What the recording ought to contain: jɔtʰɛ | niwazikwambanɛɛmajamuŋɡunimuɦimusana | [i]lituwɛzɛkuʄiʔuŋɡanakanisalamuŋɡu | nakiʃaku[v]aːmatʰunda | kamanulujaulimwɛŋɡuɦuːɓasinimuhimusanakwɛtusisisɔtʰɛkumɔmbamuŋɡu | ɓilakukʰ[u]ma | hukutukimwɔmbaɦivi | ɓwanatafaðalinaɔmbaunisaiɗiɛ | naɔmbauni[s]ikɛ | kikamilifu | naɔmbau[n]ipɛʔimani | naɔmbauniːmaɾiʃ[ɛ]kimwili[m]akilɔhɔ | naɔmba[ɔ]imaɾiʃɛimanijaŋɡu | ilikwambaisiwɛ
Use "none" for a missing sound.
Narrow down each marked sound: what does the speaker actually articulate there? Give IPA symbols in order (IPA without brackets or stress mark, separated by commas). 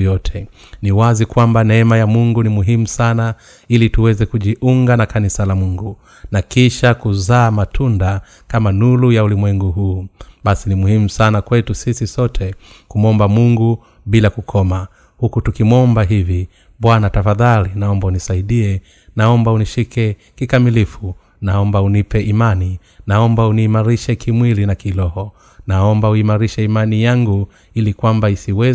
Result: i, z, ɔ, ʃ, n, ɛ, n, u